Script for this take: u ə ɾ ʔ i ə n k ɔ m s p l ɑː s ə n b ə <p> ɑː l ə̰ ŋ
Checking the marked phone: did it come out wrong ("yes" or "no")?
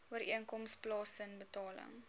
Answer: yes